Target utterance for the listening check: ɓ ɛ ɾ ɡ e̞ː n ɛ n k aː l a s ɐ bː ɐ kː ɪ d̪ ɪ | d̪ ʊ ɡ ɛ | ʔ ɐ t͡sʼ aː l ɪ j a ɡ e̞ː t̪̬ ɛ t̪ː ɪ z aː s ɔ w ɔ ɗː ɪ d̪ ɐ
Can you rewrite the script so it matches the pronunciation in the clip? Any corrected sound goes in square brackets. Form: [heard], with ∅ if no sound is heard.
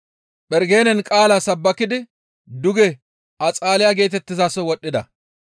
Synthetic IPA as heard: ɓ ɛ ɾ ɡ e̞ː n ɛ n [kʼ] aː l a s ɐ bː ɐ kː ɪ d̪ ɪ | d̪ ʊ ɡ ɛ | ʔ ɐ t͡sʼ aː l ɪ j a ɡ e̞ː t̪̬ ɛ t̪ː ɪ z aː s ɔ w ɔ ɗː ɪ d̪ ɐ